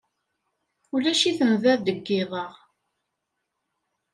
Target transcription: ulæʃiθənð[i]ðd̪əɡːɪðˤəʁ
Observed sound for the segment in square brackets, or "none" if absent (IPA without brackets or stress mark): æ